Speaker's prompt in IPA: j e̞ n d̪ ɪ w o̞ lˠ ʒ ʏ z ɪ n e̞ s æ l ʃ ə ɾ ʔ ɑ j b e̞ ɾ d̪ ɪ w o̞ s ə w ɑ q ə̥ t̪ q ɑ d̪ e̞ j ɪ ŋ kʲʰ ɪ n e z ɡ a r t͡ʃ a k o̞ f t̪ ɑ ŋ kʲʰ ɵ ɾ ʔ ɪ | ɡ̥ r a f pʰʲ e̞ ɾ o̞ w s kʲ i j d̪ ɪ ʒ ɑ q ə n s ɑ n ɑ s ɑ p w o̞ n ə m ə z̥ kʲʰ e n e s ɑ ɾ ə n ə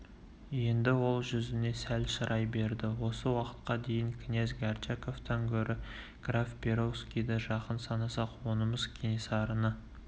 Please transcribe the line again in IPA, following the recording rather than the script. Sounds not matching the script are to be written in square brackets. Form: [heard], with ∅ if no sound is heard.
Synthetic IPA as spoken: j e̞ n d̪ ɪ w o̞ lˠ ʒ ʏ z ɪ n e̞ s æ l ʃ ə ɾ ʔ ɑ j b e̞ ɾ d̪ ɪ w o̞ s ə w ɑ q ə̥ t̪ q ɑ d̪ e̞ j ɪ ŋ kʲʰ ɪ n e z ɡ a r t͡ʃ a k o̞ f t̪ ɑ ŋ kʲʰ ɵ ɾ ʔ ɪ | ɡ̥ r a f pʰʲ e̞ ɾ o̞ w s kʲ i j d̪ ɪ ʒ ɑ q ə n s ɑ n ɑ s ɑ [q] w o̞ n ə m ə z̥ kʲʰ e n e s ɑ ɾ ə n ə